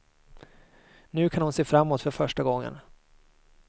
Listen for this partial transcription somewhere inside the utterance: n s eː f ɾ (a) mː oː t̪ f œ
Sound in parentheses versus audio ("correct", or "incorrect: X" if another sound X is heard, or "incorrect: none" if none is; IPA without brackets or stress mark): correct